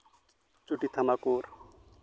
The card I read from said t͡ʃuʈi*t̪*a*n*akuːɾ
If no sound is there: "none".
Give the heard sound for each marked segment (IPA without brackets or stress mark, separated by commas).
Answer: t̪ʰ, m